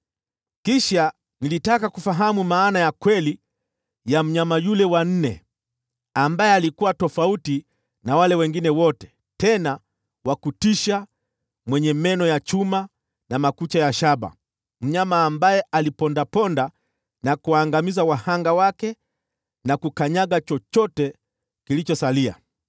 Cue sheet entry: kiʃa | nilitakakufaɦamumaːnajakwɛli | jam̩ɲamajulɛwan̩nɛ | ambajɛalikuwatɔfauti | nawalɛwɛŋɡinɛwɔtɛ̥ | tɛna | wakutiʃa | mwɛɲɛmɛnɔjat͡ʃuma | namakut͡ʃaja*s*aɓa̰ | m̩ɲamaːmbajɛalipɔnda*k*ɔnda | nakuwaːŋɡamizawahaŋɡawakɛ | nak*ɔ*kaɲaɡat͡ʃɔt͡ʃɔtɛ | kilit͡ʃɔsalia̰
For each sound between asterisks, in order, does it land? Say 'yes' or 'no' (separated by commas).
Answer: no, no, no